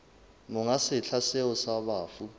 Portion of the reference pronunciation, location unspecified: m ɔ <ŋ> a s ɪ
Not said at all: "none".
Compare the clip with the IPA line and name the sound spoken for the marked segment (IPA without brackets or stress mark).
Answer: ŋ